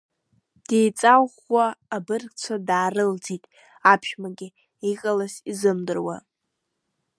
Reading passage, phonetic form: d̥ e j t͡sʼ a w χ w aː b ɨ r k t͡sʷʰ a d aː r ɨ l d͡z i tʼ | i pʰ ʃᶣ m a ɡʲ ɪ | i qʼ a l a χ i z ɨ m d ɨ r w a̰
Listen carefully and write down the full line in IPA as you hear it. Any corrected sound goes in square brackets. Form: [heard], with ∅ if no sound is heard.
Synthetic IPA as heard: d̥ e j t͡sʼ a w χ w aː b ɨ r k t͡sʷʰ a d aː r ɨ l d͡z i tʼ | [a] pʰ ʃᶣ m a ɡʲ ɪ | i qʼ a l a [s] i z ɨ m d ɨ r w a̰